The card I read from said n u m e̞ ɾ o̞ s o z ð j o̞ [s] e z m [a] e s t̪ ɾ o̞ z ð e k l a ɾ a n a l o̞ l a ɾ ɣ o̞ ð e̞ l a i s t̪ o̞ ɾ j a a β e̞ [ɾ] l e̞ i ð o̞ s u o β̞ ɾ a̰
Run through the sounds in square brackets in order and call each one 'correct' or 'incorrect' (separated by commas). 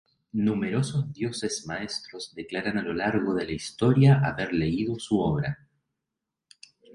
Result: correct, correct, correct